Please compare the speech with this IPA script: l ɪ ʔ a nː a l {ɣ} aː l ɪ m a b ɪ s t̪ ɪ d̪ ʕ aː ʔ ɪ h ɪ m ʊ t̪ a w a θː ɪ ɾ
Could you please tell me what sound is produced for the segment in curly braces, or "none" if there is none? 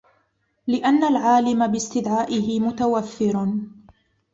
ʕ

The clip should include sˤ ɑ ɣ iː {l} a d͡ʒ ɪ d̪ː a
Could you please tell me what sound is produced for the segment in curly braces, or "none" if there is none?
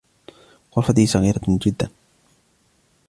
ɾ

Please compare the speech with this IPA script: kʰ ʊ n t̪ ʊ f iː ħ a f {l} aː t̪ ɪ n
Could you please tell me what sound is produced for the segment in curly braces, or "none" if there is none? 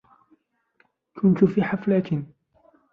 l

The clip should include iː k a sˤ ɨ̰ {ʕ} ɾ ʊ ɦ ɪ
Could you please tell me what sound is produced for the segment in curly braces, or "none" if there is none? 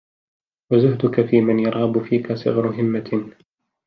ɣ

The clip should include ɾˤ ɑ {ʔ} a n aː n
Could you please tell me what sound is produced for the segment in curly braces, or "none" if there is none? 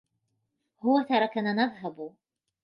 k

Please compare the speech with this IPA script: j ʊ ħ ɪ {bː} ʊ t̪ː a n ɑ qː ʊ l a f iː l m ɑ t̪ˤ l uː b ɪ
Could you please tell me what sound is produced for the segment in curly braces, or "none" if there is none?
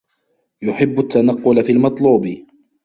bː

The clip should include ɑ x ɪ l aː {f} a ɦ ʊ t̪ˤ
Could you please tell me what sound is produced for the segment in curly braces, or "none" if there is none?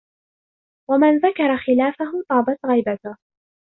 f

